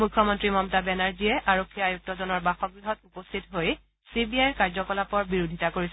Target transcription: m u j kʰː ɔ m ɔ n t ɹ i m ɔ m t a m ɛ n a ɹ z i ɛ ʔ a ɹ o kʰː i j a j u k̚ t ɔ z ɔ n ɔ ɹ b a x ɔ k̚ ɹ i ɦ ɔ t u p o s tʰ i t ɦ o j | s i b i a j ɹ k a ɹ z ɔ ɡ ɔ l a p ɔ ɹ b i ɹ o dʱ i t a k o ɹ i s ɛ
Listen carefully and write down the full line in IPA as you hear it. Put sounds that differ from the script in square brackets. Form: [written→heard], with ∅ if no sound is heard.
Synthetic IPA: m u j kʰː ɔ m ɔ n t ɹ i m ɔ m t a [m→b] ɛ n a ɹ z i ɛ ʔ a ɹ o kʰː i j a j u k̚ t ɔ z ɔ n ɔ ɹ b a x ɔ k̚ ɹ i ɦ ɔ t u p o s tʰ i t ɦ o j | s i b i a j ɹ k a ɹ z ɔ [ɡ→k] ɔ l a p ɔ ɹ b i ɹ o dʱ i t a k o ɹ i s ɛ